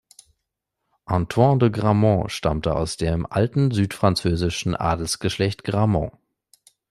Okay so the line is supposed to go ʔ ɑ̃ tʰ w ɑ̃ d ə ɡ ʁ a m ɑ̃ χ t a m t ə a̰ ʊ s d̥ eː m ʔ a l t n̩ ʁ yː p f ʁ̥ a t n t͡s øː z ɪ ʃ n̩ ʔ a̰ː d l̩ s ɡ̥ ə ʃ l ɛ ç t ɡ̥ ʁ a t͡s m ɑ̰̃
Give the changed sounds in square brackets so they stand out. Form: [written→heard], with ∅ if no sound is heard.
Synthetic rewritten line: ʔ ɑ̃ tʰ w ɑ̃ d ə ɡ ʁ a m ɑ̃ [χ→ʃ] t a m t ə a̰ ʊ s d̥ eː m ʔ a l t n̩ [ʁ→z] yː [p→t] f ʁ̥ a [t→∅] n t͡s øː z ɪ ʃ n̩ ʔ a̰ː d l̩ s ɡ̥ ə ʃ l ɛ ç t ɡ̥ ʁ a [t͡s→∅] m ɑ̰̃